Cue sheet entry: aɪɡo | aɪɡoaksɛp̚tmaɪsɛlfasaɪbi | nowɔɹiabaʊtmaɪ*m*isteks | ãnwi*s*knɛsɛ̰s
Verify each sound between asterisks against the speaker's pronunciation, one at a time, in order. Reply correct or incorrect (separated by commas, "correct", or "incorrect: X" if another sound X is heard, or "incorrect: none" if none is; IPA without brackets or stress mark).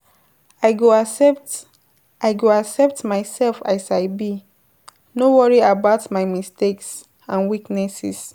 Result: correct, incorrect: none